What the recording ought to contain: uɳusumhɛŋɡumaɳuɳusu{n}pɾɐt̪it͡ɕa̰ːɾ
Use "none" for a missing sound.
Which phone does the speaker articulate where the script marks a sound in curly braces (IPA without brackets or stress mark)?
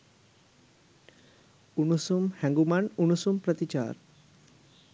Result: m